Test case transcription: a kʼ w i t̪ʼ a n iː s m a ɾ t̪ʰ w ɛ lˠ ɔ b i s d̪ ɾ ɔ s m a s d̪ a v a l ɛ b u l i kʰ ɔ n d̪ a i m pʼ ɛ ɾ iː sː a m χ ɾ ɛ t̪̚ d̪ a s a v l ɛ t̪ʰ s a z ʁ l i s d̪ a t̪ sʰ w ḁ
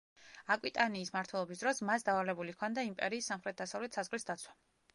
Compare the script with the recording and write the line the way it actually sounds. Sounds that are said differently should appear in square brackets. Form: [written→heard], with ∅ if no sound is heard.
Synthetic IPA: a kʼ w i t̪ʼ a n iː s m a ɾ t̪ʰ w ɛ lˠ ɔ b i s d̪ ɾ ɔ s m a s d̪ a v a l ɛ b u l i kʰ ɔ n d̪ a i m pʼ ɛ ɾ iː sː a m χ ɾ ɛ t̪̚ d̪ a s a v l ɛ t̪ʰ s a z ʁ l i s d̪ a t̪ sʰ w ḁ